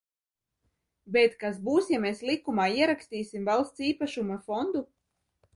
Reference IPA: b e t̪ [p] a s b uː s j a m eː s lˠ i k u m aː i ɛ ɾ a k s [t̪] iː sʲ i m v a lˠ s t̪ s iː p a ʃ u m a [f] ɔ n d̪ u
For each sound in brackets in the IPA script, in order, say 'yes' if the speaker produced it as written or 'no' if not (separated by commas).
no, yes, yes